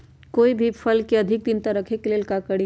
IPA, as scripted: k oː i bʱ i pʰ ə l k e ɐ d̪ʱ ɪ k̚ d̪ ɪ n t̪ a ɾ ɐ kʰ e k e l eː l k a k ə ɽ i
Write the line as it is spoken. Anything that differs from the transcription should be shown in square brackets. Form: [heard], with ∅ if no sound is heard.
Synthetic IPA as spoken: k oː i bʱ i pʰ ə l k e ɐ d̪ʱ ɪ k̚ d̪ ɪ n t̪ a ɾ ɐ kʰ e k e l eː l k a k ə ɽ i